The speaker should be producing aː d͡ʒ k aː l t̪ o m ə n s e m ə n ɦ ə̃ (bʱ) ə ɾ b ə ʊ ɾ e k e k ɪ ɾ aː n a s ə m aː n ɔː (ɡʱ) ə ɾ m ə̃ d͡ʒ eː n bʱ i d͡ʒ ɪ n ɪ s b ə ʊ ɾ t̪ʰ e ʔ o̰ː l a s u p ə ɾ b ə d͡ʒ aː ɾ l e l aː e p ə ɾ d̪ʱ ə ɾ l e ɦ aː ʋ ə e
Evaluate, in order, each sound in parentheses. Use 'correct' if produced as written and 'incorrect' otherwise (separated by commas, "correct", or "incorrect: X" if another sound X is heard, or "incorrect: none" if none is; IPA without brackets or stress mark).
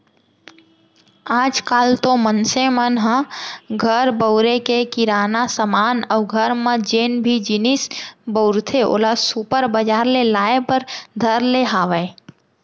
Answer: incorrect: ɡʱ, correct